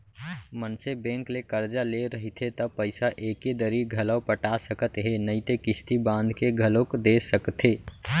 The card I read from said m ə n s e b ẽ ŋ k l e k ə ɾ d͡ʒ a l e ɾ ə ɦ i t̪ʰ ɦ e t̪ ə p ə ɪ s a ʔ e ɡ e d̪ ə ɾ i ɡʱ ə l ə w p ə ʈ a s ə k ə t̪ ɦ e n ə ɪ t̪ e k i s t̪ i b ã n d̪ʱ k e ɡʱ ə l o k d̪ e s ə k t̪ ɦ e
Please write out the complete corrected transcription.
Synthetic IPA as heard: m ə n s e b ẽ ŋ k l e k ə ɾ d͡ʒ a l e ɾ ə ɦ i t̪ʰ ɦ e t̪ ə p ə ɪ s a ʔ e k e d̪ ə ɾ i ɡʱ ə l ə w p ə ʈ a s ə k ə t̪ ɦ e n ə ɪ t̪ e k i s t̪ i b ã n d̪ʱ k e ɡʱ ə l o k d̪ e s ə k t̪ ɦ e